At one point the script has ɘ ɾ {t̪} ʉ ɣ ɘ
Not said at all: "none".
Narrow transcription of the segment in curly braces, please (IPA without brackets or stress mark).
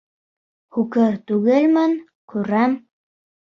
t̪